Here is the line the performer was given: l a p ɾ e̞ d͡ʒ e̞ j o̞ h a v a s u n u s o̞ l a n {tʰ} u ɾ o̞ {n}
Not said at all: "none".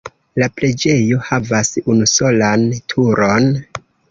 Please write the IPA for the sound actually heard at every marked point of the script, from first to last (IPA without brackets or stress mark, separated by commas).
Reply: tʰ, n